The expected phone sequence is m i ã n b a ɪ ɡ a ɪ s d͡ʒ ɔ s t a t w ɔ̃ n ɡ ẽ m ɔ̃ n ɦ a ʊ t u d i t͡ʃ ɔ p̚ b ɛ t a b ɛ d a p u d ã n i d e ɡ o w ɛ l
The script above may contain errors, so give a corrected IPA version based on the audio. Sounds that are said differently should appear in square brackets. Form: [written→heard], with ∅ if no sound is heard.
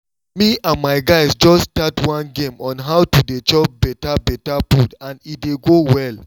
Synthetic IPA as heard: m i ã n [b→m] a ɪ ɡ a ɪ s d͡ʒ ɔ s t a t w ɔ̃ n ɡ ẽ m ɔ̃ n ɦ a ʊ t u d [i→e] t͡ʃ ɔ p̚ b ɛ t a b ɛ [d→t] a p u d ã n i d e ɡ o w ɛ l

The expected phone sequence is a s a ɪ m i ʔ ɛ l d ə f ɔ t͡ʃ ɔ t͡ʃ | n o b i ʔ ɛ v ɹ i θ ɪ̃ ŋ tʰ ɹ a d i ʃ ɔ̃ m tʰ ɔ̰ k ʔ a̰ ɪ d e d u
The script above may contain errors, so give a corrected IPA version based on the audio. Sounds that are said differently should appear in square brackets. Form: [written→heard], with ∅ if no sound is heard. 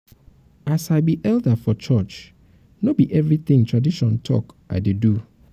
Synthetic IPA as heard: a s a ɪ [m→b] i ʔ ɛ l d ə f ɔ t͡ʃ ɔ t͡ʃ | n o b i ʔ ɛ v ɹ i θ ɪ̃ ŋ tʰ ɹ a d i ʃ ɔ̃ [m→n] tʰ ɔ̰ k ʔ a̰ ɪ d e d u

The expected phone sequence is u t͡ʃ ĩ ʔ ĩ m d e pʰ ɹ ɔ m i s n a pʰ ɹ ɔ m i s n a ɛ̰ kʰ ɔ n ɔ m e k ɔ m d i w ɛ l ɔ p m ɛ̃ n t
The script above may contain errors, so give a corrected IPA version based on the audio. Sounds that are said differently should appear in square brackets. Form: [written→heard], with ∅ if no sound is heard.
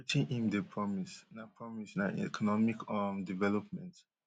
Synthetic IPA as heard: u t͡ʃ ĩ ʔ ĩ m d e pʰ ɹ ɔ m i s n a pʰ ɹ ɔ m i s n a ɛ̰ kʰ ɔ n ɔ m [e→i] k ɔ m d i [w→v] ɛ l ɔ p m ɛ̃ n t

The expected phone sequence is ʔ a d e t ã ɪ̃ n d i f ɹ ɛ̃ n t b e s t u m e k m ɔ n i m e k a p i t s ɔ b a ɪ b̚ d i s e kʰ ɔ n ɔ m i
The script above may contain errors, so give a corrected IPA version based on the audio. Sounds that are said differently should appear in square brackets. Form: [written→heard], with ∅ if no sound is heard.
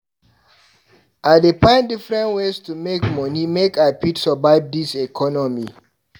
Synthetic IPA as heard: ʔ a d e [t→p] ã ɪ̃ n d i f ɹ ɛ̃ n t [b→w] e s t u m e k m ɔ n i m e k a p i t s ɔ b a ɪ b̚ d i s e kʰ ɔ n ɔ m i

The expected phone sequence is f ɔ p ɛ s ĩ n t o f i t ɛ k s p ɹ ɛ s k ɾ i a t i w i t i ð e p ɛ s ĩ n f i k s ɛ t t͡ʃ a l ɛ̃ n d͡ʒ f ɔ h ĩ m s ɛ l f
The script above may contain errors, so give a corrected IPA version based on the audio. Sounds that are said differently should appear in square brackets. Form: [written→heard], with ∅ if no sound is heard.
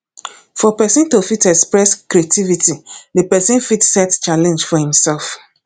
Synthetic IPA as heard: f ɔ p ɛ s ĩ n t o f i t ɛ k s p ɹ ɛ s k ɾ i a t i [w→v] i t i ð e p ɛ s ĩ n f i [k→t] s ɛ t t͡ʃ a l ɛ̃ n d͡ʒ f ɔ h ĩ m s ɛ l f

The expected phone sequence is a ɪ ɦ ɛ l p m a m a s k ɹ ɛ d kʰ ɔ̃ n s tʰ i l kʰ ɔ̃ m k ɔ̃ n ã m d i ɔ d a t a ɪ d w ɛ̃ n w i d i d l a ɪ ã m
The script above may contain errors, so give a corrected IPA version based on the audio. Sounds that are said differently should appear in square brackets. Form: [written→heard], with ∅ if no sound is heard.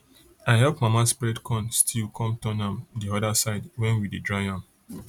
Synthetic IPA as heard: a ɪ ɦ ɛ l p m a m a s [k→p] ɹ ɛ d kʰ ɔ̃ n s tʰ i l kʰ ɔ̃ m [k→t] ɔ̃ n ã m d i ɔ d a [t→s] a ɪ d w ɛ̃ n w i d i d [l→ɹ] a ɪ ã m

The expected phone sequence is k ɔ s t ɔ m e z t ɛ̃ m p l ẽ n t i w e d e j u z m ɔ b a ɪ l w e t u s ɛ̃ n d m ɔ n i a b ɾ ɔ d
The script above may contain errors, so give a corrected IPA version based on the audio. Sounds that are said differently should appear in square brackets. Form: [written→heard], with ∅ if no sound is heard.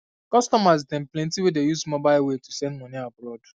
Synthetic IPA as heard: k ɔ s t ɔ m [e→a] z t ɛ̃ m p l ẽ n t i w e d e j u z m ɔ b a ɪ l w e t u s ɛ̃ n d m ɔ n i a b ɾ ɔ d

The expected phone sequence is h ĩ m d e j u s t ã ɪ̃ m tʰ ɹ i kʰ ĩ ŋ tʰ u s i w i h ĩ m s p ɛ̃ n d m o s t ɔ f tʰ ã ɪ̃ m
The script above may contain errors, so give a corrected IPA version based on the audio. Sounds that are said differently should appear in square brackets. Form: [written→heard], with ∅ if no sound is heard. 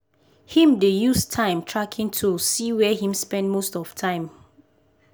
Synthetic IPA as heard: h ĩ m d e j u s [t→tʰ] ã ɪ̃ m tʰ ɹ [i→a] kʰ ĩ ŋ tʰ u s i w [i→ɛ] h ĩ m s p ɛ̃ n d m o s t ɔ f tʰ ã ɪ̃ m

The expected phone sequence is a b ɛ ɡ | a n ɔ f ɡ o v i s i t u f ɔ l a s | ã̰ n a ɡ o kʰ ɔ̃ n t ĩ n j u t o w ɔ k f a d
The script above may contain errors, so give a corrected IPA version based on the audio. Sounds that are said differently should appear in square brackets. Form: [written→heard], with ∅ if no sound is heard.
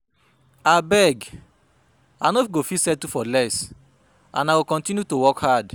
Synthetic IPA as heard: a b ɛ ɡ | a n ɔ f ɡ o [v→f] i s [i→ɛ] t u f ɔ l [a→ɛ] s | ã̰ n a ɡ o [kʰ→k] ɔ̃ n t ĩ n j u t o w ɔ k [f→h] a d

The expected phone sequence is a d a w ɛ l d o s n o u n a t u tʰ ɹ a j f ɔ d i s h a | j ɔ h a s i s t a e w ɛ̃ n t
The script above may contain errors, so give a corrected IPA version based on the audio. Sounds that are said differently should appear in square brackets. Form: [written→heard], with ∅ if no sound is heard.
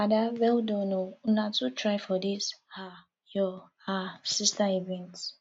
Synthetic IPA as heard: a d a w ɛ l d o [s→∅] n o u n a t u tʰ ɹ a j f ɔ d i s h a | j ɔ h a s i s t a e [w→v] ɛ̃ n t

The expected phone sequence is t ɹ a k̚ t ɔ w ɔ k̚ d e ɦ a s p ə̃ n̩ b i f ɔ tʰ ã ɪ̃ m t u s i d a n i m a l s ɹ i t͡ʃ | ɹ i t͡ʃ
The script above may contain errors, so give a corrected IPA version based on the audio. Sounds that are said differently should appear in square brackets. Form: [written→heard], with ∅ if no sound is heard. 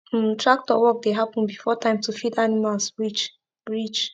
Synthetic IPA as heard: t ɹ a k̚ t ɔ w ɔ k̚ d e ɦ a [s→∅] p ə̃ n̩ b i f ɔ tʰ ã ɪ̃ m t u [s→f] i d a n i m a l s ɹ i t͡ʃ | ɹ i t͡ʃ

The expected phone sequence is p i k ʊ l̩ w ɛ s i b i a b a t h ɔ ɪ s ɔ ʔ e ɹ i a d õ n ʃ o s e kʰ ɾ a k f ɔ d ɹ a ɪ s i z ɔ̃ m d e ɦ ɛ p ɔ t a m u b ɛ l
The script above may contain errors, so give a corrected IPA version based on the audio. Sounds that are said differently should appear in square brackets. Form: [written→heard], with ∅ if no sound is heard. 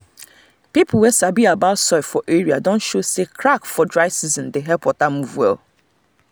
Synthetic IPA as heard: p i [k→p] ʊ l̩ w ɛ s [i→a] b i a b a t [h→s] ɔ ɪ [s→f] ɔ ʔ e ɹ i a d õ n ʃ o s e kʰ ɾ a k f ɔ d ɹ a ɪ s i z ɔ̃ [m→n] d e ɦ ɛ p ɔ t a m u [b→v] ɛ l

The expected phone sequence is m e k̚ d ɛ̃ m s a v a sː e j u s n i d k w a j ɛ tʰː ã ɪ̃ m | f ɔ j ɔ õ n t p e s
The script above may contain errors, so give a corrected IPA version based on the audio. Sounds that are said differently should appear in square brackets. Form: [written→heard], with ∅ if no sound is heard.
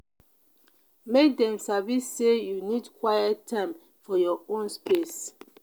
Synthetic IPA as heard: m e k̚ d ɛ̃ m s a v [a→i] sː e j u [s→∅] n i d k w a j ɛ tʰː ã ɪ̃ m | f ɔ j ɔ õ n [t→s] p e s

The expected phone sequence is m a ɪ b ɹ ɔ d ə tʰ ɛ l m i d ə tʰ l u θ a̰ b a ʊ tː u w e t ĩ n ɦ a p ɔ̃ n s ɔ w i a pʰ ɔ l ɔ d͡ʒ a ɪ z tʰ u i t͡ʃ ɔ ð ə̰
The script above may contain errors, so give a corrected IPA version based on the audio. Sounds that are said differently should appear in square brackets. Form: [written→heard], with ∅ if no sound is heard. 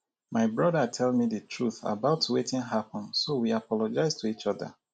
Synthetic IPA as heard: m a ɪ b ɹ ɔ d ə tʰ ɛ l m i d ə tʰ [l→ɹ] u θ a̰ b a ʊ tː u w e t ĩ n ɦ a p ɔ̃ n s [ɔ→o] w i a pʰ ɔ l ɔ d͡ʒ a ɪ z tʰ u i t͡ʃ ɔ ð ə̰

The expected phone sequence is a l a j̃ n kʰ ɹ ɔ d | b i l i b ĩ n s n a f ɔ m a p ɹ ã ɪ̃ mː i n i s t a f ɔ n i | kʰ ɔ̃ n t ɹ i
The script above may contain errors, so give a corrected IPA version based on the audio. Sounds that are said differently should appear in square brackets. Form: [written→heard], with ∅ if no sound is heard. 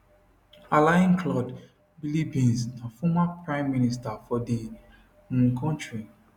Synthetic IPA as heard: a l a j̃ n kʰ [ɹ→l] ɔ d | b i l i b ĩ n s n a f ɔ m a p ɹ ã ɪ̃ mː i n i s t a f ɔ [n→d] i | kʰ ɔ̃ n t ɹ i

